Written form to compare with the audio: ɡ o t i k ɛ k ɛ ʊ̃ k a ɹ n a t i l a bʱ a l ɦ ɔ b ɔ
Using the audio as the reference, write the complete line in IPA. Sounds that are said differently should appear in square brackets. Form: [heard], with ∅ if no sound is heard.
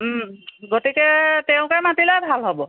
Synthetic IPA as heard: ɡ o t i k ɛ [t] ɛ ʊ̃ k a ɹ [m] a t i l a bʱ a l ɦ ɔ b ɔ